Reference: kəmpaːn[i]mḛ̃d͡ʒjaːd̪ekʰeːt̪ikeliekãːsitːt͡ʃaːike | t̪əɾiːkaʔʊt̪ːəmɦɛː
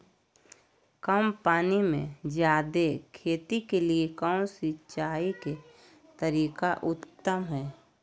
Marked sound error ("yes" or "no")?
no